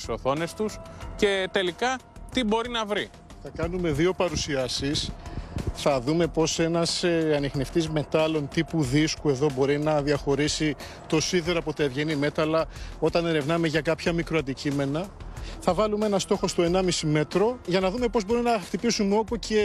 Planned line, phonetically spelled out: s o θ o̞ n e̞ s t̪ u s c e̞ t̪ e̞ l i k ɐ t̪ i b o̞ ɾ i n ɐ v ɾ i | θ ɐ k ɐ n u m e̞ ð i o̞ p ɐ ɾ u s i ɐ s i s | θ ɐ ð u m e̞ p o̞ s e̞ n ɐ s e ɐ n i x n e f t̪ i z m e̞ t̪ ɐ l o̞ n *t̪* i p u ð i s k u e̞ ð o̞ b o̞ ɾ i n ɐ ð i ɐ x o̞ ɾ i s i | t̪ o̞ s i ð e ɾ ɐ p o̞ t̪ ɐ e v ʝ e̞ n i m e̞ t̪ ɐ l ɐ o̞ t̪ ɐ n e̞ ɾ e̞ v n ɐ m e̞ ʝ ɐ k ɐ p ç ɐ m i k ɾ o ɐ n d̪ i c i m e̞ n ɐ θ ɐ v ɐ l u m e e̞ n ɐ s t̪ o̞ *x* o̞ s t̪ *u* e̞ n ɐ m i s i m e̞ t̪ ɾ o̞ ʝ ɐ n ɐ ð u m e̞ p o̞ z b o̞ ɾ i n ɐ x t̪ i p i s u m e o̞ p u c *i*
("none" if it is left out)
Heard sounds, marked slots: t̪, x, o, e

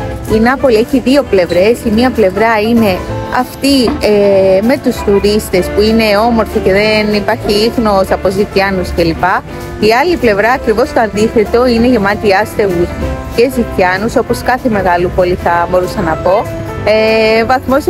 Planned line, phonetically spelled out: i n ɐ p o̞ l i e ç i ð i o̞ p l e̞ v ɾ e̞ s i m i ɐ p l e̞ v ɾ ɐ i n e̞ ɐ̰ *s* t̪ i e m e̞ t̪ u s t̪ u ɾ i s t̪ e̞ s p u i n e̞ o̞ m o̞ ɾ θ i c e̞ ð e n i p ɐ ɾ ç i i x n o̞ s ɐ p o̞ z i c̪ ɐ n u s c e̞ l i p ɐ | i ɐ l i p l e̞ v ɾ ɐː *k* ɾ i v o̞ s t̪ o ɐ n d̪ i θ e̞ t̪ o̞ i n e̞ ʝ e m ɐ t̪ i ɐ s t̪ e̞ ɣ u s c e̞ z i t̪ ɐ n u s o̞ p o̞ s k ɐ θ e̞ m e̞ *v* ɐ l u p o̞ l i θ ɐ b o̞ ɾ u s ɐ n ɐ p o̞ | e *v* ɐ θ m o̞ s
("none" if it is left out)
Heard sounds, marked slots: f, k, ɣ, v

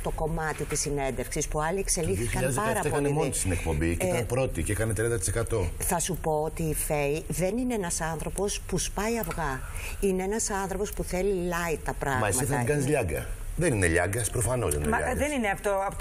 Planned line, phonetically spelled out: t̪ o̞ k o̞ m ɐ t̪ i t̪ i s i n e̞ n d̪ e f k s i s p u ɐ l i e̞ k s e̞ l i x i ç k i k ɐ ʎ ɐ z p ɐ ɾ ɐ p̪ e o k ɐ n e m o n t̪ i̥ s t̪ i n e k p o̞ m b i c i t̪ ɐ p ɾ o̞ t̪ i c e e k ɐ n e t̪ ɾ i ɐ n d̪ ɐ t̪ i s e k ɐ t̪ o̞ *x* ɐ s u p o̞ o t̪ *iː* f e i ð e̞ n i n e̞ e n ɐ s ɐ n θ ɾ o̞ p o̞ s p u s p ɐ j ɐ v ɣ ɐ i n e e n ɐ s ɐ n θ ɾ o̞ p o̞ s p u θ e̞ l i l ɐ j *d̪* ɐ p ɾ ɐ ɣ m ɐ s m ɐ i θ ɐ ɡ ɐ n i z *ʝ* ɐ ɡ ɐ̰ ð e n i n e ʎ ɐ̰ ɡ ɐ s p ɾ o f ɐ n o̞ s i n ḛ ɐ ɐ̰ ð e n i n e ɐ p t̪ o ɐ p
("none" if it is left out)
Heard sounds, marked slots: θ, iː, t̪, ʎ

